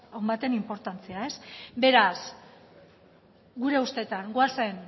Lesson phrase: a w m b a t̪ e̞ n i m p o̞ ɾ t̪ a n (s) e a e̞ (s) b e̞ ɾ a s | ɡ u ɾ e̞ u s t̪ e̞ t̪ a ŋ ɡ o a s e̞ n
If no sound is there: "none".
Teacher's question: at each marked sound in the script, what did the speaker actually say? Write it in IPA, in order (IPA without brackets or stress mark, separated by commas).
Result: t͡s, s